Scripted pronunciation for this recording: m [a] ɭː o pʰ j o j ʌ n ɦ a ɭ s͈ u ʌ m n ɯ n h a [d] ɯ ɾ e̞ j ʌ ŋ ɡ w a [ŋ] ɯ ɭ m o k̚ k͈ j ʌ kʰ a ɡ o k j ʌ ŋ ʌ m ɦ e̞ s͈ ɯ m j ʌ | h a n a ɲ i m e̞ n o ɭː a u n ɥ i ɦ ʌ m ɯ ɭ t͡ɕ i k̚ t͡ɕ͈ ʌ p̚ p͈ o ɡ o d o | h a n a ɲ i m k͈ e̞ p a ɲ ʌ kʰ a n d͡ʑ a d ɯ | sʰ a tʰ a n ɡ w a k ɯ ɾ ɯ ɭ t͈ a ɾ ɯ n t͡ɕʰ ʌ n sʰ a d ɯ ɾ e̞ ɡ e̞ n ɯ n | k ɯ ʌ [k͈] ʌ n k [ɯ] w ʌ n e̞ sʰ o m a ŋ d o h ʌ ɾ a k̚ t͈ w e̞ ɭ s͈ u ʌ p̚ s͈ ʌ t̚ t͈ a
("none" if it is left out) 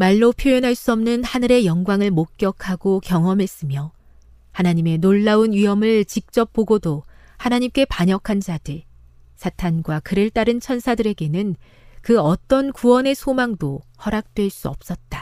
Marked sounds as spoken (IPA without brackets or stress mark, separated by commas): a, n, ŋ, t͈, u